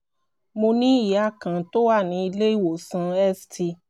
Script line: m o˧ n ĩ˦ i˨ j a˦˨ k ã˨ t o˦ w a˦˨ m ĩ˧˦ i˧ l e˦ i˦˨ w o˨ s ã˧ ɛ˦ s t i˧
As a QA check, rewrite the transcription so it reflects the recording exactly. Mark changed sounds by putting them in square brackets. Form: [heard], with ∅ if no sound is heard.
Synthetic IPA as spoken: m o˧ n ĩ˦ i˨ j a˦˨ k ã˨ t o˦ w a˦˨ [n] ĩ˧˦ i˧ l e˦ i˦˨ w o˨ s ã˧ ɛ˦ s t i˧